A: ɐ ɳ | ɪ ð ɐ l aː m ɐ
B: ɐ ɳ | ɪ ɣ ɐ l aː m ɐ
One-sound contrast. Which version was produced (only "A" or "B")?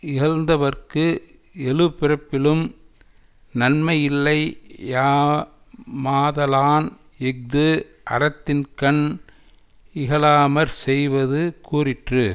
B